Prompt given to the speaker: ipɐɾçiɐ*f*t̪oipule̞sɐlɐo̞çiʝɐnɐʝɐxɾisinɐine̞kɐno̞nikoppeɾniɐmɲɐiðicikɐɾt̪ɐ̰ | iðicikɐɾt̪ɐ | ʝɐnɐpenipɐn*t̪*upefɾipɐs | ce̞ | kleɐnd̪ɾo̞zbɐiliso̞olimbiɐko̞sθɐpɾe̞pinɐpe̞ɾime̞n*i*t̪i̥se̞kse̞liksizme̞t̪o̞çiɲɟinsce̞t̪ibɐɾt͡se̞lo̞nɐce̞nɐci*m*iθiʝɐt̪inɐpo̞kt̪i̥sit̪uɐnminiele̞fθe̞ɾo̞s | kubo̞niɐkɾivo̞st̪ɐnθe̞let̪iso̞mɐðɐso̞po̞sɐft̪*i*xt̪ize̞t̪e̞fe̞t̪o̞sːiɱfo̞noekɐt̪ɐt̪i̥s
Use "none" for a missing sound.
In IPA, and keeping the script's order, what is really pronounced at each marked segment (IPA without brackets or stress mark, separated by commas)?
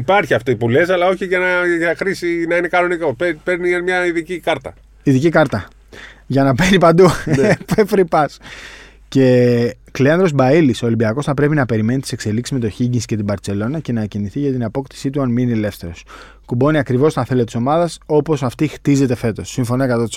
f, d̪, i, n, i